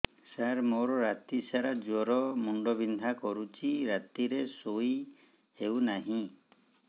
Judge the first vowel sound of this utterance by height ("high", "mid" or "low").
low